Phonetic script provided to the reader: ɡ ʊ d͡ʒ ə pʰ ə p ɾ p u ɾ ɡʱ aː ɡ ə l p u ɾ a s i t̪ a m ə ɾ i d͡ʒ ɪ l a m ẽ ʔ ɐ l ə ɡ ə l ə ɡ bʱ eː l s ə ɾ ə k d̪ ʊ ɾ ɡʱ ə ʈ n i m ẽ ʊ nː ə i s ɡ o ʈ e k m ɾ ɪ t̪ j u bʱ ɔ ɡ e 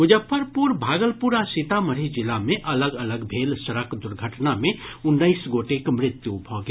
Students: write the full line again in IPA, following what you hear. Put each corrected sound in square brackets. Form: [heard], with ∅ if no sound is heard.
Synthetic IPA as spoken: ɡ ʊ d͡ʒ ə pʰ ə [∅] ɾ p u ɾ [bʱ] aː ɡ ə l p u ɾ a s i t̪ a m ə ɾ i d͡ʒ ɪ l a m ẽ ʔ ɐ l ə ɡ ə l ə ɡ bʱ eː l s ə ɾ ə k d̪ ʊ ɾ ɡʱ ə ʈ n [a] m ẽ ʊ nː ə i s ɡ o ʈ e k m ɾ ɪ t̪ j u bʱ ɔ ɡ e